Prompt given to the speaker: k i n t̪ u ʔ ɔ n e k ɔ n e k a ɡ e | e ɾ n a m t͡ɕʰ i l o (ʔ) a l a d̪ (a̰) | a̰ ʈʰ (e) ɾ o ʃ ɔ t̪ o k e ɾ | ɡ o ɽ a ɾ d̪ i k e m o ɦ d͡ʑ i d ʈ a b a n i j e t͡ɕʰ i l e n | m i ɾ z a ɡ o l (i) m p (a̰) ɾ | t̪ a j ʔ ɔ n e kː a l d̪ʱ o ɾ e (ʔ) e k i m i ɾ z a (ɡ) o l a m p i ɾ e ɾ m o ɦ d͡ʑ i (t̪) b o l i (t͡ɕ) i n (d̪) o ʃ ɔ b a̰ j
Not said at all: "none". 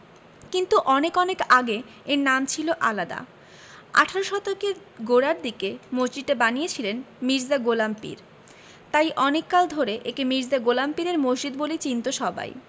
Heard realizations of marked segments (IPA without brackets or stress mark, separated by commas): ʔ, a̰, a, a, ḭ, ʔ, ɡ, d̪, t͡ɕ, t̪